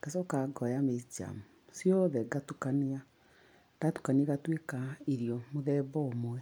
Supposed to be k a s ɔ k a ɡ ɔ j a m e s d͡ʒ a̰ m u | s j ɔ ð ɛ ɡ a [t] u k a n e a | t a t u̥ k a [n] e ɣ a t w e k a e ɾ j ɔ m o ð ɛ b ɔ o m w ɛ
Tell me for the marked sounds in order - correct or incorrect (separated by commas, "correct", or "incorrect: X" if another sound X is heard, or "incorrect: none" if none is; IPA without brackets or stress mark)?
correct, correct